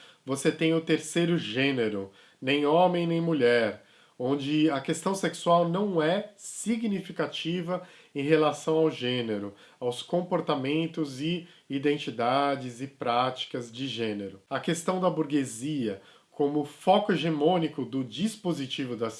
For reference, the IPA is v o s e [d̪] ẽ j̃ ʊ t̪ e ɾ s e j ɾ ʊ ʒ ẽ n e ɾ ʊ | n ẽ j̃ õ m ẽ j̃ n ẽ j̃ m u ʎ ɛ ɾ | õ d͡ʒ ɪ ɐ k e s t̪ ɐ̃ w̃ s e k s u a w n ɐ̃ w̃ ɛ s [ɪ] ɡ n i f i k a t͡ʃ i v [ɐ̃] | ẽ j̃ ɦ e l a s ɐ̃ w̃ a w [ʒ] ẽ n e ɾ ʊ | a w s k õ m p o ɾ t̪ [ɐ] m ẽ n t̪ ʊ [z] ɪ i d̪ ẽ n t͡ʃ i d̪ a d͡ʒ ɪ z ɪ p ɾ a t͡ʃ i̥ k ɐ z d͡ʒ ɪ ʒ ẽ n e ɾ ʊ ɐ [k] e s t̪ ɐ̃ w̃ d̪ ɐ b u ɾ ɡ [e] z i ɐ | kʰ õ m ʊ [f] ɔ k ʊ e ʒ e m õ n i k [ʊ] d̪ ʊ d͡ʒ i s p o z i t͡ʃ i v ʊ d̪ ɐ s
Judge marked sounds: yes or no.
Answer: no, no, no, yes, no, yes, yes, yes, yes, yes

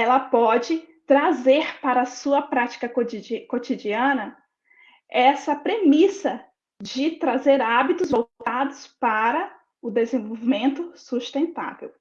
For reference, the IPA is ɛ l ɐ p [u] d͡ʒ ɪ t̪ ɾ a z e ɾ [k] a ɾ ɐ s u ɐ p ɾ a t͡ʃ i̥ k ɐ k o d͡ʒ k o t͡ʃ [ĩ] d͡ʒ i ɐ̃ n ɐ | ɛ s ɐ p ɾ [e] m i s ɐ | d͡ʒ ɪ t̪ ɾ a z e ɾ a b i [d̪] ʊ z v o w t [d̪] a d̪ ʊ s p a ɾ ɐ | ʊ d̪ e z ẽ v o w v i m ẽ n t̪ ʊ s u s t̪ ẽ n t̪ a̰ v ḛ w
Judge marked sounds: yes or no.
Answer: no, no, no, yes, no, no

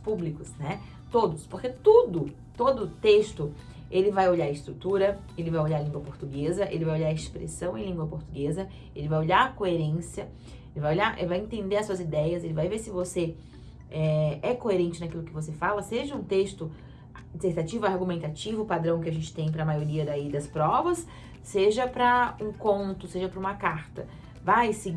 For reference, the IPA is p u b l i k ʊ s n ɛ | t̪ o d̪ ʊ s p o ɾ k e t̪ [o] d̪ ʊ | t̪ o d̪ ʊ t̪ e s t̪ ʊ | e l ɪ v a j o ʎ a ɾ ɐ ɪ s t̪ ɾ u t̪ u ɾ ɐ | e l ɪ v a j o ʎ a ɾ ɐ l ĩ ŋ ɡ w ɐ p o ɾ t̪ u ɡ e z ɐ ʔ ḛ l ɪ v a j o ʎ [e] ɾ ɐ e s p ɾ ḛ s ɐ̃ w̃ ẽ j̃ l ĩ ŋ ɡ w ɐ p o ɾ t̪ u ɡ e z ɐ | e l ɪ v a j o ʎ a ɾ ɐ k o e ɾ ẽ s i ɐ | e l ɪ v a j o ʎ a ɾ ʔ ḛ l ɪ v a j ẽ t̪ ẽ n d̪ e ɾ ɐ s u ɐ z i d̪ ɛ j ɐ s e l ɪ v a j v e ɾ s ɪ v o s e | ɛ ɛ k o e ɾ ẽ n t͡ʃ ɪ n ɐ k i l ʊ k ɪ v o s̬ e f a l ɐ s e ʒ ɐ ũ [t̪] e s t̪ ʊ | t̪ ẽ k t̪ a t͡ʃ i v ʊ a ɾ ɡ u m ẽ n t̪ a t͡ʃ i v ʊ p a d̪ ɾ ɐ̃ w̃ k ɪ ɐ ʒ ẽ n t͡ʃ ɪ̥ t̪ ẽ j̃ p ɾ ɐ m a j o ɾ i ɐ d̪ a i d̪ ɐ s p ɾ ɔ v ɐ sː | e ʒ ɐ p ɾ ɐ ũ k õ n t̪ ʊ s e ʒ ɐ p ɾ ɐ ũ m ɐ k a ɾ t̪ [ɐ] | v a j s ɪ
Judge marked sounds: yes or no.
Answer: yes, no, yes, yes

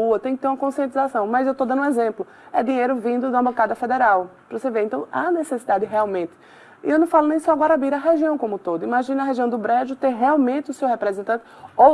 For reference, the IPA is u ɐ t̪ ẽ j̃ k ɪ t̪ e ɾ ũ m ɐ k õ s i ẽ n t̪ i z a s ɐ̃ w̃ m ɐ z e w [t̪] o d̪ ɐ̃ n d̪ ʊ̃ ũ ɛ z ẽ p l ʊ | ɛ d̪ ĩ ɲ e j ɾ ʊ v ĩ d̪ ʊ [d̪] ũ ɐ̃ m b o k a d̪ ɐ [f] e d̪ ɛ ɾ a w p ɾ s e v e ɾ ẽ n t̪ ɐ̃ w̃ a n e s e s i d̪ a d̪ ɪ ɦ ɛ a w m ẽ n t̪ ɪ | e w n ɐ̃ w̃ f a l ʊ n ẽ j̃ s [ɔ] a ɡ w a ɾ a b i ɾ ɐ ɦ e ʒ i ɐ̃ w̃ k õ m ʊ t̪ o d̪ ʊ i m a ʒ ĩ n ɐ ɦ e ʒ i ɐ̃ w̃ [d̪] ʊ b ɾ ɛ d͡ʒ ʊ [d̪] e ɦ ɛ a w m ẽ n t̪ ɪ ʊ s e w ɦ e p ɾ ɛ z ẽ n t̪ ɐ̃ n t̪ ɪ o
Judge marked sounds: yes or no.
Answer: yes, yes, yes, yes, yes, no

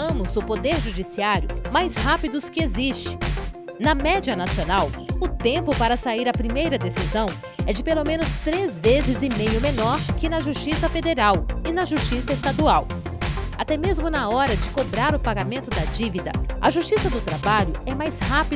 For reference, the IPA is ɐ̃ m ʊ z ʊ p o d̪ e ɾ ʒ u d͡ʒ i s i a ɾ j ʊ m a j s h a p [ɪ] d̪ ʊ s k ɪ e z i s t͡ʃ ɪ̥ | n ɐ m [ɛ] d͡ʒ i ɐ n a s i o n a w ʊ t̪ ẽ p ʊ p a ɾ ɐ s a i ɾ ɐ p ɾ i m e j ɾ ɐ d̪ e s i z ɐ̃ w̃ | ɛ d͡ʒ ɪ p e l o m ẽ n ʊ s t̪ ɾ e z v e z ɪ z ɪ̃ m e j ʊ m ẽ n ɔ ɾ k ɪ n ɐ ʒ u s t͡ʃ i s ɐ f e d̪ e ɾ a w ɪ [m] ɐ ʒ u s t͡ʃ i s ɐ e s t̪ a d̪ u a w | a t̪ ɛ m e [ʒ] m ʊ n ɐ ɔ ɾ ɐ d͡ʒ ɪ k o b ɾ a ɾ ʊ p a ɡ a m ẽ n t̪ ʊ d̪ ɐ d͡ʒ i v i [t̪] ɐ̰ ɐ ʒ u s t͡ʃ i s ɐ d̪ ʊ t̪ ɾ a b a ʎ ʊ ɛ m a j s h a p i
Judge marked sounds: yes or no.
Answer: no, yes, no, no, no

